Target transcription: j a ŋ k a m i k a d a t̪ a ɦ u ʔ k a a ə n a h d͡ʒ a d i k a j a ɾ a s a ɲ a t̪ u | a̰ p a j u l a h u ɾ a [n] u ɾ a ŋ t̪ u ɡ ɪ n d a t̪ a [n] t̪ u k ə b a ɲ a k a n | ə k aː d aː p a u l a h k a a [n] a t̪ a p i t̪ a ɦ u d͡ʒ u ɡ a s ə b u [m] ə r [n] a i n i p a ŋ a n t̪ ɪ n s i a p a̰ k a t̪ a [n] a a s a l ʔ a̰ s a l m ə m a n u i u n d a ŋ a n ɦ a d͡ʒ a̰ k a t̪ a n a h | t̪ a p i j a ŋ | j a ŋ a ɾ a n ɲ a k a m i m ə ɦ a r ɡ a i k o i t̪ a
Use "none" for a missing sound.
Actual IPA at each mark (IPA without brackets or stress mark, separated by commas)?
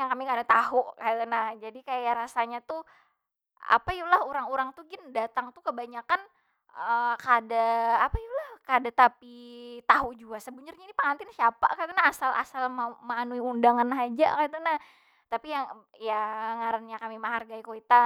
ŋ, ŋ, d, ɲ, ɲ, n